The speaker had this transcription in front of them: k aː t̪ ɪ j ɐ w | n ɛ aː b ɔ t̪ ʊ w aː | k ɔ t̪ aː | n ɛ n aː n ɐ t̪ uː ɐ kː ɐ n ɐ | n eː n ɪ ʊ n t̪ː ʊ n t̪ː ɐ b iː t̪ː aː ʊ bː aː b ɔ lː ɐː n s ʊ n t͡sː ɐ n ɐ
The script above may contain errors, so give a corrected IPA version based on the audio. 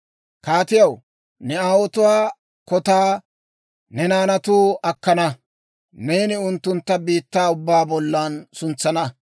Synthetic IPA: k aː t̪ ɪ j ɐ w | n ɛ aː w ɔ t̪ ʊ w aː | k ɔ t̪ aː | n ɛ n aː n ɐ t̪ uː ɐ kː ɐ n ɐ | n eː n ɪ ʊ n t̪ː ʊ n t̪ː ɐ b iː t̪ː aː ʊ bː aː b ɔ lː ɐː n s ʊ n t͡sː ɐ n ɐ